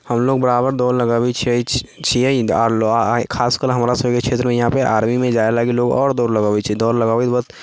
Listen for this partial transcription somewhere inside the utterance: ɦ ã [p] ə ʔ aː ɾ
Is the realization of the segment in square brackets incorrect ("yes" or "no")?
no